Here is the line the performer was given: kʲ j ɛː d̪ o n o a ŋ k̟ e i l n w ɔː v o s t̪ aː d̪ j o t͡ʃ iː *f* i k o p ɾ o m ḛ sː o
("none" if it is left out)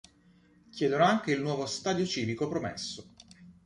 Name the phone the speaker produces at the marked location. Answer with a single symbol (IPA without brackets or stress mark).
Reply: v